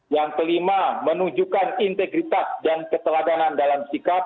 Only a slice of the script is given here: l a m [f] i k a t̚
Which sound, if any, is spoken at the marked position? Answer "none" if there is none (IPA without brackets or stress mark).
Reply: s